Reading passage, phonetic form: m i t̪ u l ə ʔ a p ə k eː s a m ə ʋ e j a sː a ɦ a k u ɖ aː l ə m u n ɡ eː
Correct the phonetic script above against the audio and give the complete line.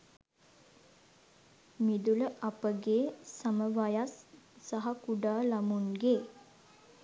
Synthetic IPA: m i d̪ u l ə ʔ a p ə ɡ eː s a m ə ʋ a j a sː a ɦ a k u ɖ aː l a m u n ɡ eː